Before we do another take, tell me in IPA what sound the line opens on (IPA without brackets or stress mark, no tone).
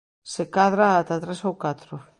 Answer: s